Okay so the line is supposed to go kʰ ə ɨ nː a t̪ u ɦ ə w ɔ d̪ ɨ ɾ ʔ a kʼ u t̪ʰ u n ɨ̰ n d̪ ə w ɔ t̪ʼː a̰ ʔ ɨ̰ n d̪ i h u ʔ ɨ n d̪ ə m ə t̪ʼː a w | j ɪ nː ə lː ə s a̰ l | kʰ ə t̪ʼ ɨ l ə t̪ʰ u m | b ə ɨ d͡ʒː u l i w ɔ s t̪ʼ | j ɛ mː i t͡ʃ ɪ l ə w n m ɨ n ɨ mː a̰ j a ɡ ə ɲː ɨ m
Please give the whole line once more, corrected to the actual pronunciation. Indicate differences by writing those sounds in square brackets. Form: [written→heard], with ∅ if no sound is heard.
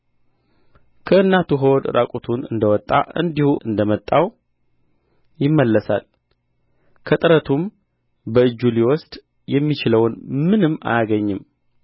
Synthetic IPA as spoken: kʰ ə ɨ nː a t̪ u ɦ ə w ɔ d̪ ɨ ɾ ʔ a kʼ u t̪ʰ u n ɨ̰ n d̪ ə w ɔ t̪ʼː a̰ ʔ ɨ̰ n d̪ i h u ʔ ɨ n d̪ ə m ə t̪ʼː a w | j ɪ [nː→mː] ə lː ə s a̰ l | kʰ ə t̪ʼ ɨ [l→ɾ] ə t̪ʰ u m | b ə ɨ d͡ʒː u l i w ɔ s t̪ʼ | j ɛ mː i t͡ʃ ɪ l ə w n m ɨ n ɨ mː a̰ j a ɡ ə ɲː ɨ m